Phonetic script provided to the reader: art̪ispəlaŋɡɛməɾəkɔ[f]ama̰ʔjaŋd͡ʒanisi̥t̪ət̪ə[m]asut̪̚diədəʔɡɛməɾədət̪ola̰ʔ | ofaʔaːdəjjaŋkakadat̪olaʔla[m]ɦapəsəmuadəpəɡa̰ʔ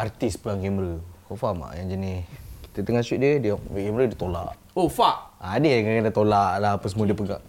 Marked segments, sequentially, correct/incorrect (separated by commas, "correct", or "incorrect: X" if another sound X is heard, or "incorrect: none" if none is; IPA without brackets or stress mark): correct, incorrect: ŋ, incorrect: none